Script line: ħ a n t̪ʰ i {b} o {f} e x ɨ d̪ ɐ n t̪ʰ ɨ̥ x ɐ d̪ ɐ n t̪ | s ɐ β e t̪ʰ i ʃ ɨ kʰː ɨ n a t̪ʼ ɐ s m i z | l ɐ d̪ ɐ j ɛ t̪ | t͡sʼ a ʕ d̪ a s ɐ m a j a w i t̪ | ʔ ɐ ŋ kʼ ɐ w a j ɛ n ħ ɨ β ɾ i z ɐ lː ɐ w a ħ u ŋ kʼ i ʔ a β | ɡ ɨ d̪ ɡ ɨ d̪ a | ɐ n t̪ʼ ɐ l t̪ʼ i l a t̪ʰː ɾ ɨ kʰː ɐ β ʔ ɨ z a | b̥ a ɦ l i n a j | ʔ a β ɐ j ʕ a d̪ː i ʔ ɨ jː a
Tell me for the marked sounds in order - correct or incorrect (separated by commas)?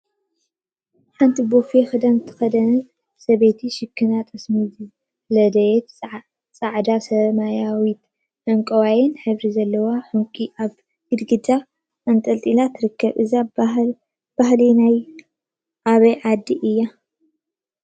correct, correct